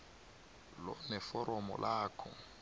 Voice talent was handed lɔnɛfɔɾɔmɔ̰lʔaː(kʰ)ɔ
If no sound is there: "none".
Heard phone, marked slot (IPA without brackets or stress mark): kʰ